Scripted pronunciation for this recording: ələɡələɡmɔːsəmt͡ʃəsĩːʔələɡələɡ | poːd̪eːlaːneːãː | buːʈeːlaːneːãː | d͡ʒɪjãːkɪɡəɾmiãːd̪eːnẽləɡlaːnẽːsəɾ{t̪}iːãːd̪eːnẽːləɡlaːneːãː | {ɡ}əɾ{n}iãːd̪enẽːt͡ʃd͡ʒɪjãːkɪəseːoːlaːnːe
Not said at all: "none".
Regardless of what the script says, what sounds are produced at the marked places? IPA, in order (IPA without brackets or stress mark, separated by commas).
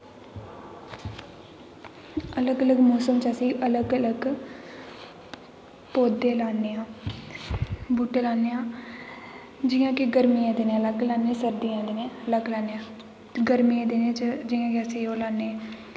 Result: d̪, ɡ, m